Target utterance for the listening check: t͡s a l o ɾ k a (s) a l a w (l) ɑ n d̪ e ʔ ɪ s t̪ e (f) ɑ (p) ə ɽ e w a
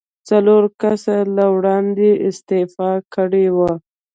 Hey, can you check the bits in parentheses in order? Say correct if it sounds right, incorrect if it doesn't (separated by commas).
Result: correct, incorrect, correct, incorrect